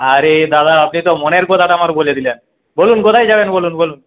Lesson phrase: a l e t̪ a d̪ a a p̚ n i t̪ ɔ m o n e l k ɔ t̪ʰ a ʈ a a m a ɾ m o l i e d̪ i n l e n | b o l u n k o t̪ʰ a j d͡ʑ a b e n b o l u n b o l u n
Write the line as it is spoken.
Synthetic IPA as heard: a ɾ e d̪ a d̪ a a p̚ n i t̪ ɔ m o n e ɾ k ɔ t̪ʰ a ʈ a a m a ɾ b o l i e d̪ i l e n | b o l u n k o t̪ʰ a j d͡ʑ a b e n b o l u n b o l u n